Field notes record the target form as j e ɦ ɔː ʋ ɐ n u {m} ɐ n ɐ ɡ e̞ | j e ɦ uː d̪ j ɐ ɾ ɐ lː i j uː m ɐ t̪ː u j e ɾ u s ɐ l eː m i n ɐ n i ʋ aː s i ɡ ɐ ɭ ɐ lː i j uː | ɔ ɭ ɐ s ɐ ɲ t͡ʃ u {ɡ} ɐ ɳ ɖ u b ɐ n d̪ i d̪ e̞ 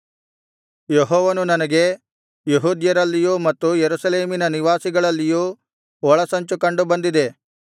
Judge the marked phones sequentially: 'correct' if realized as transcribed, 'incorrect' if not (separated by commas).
incorrect, incorrect